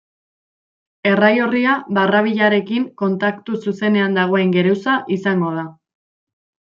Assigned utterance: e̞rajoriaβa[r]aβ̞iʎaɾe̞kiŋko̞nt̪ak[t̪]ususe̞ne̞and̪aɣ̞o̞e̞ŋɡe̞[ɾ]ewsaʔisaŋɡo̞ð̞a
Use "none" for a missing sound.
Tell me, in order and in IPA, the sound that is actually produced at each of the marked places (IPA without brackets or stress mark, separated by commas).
r, t̪, ɾ